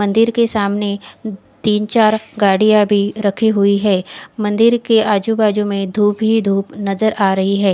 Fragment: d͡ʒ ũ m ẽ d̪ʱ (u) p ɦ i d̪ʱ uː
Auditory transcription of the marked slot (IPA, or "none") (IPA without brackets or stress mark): uː